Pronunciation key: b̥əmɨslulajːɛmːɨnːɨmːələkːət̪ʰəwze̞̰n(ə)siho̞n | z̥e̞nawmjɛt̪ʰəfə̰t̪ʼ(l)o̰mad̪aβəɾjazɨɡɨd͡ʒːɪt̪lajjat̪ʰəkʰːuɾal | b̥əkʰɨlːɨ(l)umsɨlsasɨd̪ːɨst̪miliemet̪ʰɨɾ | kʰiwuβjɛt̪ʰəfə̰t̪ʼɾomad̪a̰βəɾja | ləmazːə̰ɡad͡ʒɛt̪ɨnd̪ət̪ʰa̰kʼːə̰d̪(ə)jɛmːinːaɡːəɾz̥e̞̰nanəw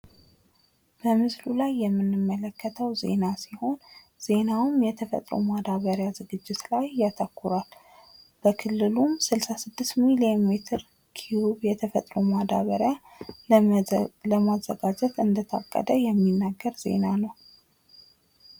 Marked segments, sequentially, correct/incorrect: incorrect: a, incorrect: ɾ, correct, correct

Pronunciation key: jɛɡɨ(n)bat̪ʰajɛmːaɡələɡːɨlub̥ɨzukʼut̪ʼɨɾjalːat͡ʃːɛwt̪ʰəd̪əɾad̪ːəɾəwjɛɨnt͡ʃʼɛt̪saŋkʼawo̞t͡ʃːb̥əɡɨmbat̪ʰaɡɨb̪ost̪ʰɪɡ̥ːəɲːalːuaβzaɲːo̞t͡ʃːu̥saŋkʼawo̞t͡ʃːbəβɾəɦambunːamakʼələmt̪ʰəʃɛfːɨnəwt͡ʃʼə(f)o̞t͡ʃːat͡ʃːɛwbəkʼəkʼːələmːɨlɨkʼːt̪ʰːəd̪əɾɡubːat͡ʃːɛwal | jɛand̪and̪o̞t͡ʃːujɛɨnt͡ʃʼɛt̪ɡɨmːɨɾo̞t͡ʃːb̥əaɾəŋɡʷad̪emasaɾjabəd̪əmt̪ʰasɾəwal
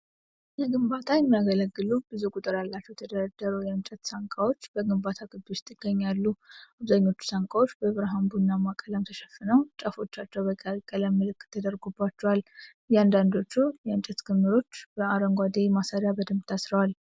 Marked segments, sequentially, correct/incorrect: incorrect: m, correct

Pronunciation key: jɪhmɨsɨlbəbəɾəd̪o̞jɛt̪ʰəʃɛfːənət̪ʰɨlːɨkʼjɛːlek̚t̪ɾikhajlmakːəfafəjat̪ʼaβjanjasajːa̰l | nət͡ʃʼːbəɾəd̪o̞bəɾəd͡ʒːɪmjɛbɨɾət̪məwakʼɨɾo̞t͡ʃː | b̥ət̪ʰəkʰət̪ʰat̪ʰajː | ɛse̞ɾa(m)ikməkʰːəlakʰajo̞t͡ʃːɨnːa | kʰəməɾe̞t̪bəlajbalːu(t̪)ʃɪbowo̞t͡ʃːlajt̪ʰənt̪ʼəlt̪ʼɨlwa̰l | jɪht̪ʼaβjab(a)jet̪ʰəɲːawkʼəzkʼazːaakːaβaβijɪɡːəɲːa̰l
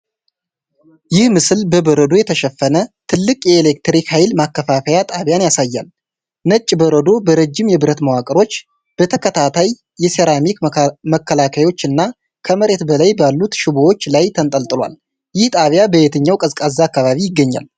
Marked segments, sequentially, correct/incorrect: correct, correct, incorrect: ə

